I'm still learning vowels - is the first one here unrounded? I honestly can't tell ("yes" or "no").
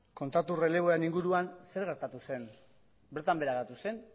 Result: no